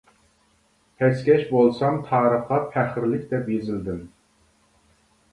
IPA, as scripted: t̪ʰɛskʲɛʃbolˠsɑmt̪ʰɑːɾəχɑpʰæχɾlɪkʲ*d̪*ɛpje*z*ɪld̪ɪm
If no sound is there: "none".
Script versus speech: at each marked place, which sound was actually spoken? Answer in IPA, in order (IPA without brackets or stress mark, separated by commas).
d̪, z